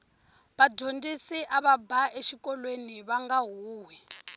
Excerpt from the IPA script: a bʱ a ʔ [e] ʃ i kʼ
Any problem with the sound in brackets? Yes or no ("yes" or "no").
no